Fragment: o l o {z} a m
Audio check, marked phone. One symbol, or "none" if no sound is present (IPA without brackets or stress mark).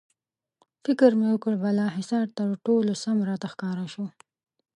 s